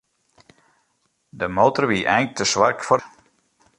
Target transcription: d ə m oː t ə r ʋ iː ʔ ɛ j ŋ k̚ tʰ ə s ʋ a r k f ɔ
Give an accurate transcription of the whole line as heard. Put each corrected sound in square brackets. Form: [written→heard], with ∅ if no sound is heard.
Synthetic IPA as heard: d ə m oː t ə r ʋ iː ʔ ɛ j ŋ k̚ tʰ ə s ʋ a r k f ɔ